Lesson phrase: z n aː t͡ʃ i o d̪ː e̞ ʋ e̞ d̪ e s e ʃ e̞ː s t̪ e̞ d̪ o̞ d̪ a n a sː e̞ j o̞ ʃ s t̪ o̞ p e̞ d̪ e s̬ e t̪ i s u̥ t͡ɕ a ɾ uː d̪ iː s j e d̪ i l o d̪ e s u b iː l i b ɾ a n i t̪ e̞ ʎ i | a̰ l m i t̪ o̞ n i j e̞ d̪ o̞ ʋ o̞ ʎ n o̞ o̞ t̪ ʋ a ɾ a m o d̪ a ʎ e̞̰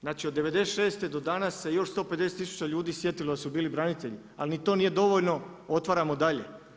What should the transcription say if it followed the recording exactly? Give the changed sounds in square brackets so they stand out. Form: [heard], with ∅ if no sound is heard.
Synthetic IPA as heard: z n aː t͡ʃ i o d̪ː e̞ ʋ e̞ d̪ e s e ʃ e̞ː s t̪ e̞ d̪ o̞ d̪ a n a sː e̞ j o̞ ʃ s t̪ o̞ p e̞ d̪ e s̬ e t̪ i s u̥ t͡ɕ a [ʎ] uː d̪ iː s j e [t̪] i l o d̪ [a] s u b iː l i b ɾ a n i t̪ e̞ ʎ i | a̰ l [n] i t̪ o̞ n i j e̞ d̪ o̞ ʋ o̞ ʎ n o̞ o̞ t̪ ʋ a ɾ a m o d̪ a ʎ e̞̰